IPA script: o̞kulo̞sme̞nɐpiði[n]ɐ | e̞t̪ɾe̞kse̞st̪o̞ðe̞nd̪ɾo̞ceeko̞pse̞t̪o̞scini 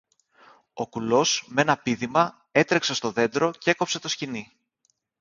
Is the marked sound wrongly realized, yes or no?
yes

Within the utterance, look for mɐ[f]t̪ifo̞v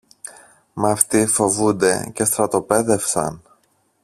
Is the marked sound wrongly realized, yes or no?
no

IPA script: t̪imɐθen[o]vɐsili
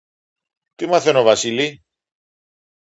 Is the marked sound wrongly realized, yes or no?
no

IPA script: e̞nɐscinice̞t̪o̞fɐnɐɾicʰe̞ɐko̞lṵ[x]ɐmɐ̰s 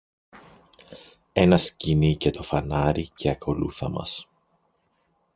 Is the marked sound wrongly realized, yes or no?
yes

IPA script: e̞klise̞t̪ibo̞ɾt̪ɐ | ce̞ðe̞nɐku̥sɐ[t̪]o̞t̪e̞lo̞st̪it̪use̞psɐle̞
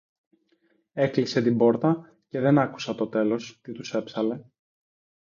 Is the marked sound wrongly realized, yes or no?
no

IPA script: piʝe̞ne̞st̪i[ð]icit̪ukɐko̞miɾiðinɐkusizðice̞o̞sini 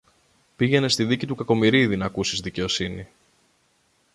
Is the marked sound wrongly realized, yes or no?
no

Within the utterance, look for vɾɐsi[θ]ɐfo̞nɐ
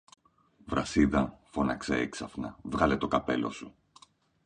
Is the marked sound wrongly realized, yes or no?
yes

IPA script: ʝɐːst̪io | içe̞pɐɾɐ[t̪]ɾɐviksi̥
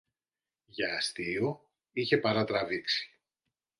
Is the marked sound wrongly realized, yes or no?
no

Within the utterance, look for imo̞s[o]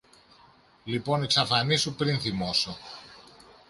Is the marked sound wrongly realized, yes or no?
no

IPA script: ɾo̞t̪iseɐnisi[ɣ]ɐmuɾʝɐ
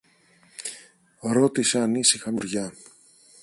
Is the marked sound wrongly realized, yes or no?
yes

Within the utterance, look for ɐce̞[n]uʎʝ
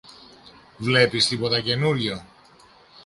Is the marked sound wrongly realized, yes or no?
no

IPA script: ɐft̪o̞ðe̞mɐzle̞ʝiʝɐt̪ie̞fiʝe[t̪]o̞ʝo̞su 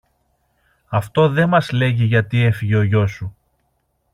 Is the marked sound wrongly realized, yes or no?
yes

